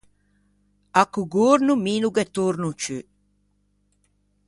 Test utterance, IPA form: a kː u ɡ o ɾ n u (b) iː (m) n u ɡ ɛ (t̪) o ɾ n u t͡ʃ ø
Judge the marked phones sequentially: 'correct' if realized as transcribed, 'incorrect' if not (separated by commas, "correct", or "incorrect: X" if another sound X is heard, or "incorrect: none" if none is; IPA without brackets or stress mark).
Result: incorrect: m, incorrect: none, correct